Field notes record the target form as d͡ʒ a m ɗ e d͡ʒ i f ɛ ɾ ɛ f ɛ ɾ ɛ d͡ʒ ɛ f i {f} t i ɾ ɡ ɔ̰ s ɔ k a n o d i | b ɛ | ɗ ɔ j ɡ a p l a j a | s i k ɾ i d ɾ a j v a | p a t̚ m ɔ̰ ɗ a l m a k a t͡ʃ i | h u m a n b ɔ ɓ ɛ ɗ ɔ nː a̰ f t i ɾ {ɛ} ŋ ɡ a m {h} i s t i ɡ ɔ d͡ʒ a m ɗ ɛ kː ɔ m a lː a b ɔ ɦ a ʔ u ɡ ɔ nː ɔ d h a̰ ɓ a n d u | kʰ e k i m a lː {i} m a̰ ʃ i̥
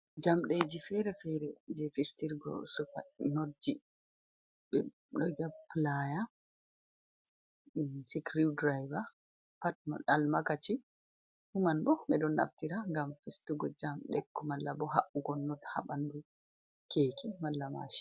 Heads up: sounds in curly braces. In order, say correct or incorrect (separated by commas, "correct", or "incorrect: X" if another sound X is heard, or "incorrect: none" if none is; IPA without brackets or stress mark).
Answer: incorrect: s, incorrect: a, incorrect: f, incorrect: a